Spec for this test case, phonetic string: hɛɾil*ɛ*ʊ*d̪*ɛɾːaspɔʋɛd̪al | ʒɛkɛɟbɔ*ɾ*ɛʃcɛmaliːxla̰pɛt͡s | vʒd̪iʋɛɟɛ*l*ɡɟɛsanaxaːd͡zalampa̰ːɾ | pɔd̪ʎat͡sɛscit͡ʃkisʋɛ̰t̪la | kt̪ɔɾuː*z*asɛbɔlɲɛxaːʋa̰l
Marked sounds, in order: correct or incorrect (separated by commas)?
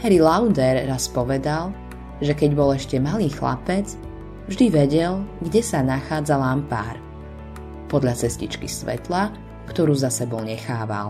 incorrect, correct, incorrect, correct, correct